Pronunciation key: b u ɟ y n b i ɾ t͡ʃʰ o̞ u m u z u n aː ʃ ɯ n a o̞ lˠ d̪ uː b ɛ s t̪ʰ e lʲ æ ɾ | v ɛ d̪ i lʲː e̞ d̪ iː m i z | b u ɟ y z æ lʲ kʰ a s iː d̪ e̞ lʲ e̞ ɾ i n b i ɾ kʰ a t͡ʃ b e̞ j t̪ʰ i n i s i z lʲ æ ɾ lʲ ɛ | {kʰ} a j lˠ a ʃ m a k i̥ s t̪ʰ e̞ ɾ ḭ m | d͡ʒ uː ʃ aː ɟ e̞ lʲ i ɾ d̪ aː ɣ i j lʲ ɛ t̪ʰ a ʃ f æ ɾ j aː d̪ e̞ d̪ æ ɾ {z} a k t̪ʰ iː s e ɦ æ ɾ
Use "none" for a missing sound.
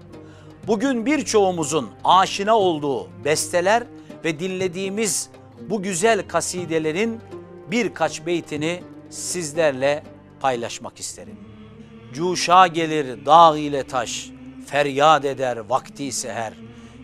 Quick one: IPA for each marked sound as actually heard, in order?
pʰ, v

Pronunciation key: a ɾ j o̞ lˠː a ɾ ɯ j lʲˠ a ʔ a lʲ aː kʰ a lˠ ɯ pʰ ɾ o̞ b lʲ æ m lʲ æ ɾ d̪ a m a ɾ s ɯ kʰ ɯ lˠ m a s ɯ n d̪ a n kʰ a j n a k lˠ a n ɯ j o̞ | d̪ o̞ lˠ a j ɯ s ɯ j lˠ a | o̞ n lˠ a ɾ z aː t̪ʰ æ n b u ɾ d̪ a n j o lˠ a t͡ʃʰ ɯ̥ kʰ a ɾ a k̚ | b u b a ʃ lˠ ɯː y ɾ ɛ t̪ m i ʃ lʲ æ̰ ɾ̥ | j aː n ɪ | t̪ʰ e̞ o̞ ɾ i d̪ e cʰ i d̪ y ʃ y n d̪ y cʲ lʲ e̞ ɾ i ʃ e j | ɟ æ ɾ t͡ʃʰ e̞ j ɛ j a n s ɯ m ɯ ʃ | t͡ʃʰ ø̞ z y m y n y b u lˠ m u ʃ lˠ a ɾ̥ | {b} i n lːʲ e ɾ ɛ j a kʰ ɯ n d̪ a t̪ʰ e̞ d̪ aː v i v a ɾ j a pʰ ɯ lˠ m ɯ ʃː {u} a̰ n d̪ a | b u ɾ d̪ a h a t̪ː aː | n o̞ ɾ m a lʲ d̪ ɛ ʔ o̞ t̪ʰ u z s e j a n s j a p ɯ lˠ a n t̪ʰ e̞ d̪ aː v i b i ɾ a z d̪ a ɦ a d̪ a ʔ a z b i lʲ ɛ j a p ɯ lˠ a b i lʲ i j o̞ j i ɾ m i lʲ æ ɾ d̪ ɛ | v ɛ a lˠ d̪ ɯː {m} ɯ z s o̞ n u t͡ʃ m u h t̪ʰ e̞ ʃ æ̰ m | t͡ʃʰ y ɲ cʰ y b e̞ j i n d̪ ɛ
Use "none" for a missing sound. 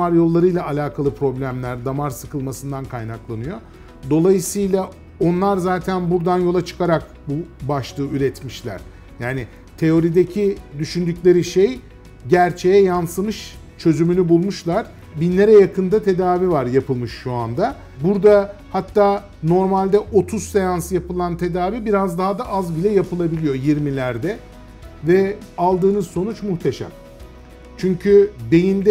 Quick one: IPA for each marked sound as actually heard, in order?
b, u, n

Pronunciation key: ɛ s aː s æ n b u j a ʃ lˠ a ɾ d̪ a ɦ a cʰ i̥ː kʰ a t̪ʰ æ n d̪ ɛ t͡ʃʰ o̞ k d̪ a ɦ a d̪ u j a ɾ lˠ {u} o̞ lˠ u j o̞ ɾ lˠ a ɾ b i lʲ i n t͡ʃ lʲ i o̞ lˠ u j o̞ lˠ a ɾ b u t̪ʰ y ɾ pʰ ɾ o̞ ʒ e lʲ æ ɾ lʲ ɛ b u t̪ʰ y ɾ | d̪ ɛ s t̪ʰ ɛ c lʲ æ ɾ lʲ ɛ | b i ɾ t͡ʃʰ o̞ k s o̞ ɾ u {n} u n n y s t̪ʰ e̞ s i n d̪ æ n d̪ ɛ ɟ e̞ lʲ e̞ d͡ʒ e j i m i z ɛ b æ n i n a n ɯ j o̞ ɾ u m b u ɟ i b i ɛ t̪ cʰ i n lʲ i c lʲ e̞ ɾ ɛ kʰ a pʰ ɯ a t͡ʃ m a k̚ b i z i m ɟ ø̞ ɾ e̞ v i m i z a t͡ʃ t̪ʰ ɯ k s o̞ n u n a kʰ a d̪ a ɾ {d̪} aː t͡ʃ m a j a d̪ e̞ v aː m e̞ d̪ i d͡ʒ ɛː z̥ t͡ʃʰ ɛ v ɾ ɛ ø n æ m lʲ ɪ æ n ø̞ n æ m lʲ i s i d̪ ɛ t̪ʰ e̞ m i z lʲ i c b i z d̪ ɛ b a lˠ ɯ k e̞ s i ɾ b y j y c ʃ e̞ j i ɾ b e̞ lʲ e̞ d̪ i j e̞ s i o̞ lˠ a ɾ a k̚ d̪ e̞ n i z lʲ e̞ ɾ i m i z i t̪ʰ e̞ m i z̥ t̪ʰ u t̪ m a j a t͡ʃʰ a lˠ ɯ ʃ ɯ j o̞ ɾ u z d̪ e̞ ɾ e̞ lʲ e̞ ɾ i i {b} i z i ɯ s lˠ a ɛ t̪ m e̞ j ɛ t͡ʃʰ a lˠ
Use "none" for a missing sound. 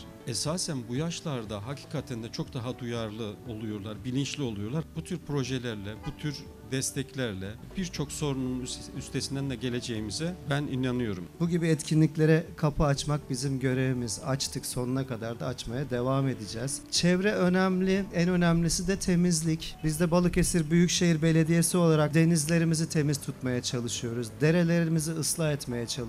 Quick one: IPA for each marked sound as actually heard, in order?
ɯ, n, d̪, m

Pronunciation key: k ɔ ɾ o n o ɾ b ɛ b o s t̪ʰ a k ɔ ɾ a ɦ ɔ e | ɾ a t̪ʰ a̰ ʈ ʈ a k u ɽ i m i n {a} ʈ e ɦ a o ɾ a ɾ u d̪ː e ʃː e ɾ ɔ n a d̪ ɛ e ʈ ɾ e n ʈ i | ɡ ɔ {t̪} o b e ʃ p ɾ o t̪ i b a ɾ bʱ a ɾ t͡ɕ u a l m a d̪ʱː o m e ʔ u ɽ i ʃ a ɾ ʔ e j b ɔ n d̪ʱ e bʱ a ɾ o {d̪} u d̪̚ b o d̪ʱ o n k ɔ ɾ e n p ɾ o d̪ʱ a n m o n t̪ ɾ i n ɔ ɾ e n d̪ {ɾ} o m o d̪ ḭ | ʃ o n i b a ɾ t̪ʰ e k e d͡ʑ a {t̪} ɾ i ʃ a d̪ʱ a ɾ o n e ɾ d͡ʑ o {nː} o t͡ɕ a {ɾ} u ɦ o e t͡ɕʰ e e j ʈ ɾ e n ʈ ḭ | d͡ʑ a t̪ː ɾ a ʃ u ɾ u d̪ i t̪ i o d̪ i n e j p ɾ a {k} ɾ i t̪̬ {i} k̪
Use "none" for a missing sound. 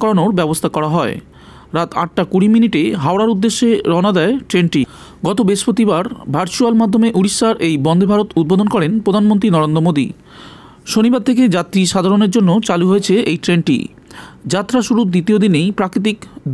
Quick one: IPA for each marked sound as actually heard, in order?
i, t̪, t̪, ɾ, t̪, nː, l, k, i

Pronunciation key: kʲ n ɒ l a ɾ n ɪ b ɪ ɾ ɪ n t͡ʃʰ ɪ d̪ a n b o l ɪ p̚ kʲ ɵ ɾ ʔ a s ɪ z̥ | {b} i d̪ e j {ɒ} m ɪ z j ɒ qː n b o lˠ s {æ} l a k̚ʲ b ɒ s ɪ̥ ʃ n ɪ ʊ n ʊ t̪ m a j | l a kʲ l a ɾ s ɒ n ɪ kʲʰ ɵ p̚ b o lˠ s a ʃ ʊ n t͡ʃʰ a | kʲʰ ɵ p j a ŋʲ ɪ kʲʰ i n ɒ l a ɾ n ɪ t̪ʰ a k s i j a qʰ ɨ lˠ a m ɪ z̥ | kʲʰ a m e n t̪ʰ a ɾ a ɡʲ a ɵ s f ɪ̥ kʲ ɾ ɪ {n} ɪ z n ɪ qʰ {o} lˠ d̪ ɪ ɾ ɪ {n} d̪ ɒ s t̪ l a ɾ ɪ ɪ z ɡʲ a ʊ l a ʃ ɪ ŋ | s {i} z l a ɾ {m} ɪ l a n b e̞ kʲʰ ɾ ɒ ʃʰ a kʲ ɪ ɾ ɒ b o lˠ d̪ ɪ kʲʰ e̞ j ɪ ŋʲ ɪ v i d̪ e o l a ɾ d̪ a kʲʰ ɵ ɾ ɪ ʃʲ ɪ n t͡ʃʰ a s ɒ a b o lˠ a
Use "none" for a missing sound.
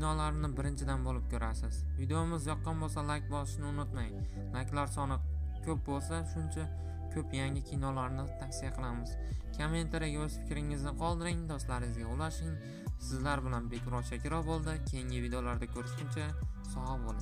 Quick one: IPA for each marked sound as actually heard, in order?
v, o, a, ŋ, ɒ, ŋ, ɪ, b

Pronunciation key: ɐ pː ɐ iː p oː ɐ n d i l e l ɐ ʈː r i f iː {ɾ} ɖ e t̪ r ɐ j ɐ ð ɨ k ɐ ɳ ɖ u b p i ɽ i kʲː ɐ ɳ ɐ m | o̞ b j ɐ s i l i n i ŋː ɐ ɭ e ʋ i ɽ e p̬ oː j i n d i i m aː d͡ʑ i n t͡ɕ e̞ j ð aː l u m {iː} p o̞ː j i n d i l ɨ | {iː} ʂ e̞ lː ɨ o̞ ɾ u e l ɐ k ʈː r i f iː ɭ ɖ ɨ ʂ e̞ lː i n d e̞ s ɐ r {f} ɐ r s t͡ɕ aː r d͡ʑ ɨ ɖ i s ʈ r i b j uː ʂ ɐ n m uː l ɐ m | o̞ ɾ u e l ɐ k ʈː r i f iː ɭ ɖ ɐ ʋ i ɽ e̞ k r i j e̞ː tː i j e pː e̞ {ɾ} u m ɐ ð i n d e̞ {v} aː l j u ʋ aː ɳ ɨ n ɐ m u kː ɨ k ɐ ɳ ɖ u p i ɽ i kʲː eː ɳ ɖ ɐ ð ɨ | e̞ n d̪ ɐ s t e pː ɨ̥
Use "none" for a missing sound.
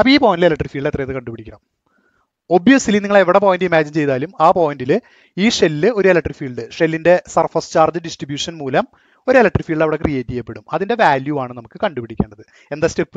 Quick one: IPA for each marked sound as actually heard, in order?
ɭ, aː, iː, f, ɽ, ʋ

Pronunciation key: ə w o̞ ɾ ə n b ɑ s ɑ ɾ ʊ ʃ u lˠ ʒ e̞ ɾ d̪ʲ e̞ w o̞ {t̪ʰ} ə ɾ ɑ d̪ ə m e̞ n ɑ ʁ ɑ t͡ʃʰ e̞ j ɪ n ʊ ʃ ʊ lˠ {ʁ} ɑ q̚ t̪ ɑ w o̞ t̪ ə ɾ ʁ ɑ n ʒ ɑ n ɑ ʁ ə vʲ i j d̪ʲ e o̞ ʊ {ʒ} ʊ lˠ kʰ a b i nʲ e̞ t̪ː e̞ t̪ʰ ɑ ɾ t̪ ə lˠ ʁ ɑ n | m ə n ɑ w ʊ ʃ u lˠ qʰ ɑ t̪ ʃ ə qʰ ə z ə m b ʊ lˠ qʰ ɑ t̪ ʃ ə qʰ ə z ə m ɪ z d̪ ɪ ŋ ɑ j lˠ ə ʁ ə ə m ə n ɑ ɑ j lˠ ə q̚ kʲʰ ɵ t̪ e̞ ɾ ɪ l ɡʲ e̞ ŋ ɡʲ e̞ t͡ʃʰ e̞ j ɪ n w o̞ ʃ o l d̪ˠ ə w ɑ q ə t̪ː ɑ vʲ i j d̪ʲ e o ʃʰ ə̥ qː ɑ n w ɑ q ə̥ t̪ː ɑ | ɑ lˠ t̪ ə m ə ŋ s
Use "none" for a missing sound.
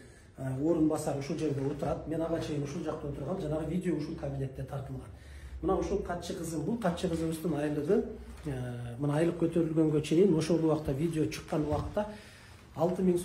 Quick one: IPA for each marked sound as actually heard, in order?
t̪, ʒ, ʃ

